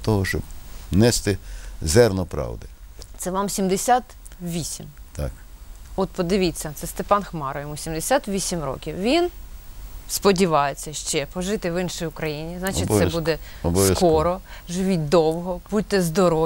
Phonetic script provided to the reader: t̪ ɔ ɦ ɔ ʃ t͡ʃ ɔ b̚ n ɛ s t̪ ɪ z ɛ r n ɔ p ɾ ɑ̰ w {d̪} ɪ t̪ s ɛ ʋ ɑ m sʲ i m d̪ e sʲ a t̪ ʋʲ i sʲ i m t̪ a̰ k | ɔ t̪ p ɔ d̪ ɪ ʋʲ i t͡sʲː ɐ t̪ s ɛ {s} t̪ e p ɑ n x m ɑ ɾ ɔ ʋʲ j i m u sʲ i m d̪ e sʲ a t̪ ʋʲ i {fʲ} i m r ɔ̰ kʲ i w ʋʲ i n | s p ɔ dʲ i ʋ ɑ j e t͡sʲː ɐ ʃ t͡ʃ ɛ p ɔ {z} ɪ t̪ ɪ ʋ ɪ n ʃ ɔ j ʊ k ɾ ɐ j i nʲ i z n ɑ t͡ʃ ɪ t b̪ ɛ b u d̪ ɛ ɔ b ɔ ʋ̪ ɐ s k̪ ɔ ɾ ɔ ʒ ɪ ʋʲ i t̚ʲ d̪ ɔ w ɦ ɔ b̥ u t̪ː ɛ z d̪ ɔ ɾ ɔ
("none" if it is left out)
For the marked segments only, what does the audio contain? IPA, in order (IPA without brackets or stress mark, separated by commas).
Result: d̪, s, sʲ, ʒ